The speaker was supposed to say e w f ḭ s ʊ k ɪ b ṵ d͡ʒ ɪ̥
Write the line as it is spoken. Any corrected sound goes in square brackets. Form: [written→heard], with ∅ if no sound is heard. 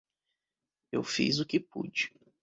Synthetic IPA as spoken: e w f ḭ [s→z] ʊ k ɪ [b→p] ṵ d͡ʒ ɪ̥